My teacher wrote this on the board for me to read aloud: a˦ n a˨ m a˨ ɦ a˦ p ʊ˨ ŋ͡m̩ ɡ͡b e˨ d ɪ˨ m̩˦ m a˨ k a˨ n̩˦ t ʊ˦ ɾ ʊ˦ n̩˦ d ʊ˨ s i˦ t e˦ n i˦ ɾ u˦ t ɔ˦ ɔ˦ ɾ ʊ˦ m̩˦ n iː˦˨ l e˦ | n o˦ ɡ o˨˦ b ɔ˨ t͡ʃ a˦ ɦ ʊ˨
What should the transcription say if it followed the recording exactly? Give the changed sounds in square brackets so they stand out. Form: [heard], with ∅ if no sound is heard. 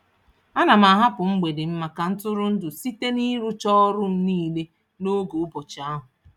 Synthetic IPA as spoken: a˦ n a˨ m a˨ ɦ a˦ p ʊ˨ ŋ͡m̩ ɡ͡b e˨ d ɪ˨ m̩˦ m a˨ k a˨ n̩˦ t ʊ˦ ɾ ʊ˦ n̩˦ d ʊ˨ s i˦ t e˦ n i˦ ɾ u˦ [t͡ʃ] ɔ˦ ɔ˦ ɾ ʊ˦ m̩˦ n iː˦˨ l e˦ | n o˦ ɡ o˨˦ b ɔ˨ t͡ʃ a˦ ɦ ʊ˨